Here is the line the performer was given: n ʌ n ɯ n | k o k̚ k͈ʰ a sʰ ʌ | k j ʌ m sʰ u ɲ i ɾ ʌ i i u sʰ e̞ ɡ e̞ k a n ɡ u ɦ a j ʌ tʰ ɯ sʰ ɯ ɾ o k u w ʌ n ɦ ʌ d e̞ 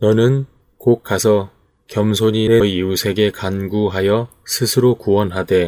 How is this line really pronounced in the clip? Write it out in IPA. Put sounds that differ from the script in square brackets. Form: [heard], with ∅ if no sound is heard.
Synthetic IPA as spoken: n ʌ n ɯ n | k o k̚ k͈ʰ a sʰ ʌ | k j ʌ m sʰ [o] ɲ i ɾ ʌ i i u sʰ e̞ ɡ e̞ k a n ɡ u ɦ a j ʌ [sʰ] ɯ sʰ ɯ ɾ o k u w ʌ n ɦ [a] d e̞